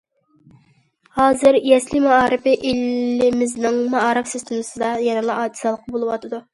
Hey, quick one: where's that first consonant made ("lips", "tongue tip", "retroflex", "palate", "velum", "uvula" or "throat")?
throat